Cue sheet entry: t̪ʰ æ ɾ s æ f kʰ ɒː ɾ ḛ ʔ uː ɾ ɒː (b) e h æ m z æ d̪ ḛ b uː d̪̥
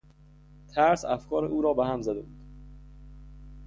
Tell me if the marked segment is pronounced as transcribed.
yes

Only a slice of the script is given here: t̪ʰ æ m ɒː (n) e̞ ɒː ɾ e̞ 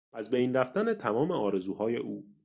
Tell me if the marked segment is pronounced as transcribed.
no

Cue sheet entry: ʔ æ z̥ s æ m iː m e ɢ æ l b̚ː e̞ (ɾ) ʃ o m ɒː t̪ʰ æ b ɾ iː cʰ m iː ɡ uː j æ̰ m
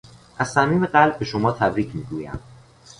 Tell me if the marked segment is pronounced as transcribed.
no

